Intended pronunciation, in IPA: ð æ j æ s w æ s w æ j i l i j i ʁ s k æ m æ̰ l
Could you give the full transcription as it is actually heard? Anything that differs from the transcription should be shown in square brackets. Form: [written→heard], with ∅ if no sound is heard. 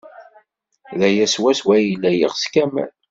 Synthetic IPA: ð æ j æ s w æ s w æ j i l [i→æ] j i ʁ s k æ m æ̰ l